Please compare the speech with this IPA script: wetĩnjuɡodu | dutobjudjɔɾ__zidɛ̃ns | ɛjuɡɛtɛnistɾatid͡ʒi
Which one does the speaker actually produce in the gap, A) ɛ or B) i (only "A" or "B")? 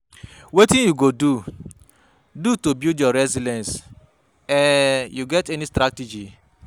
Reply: A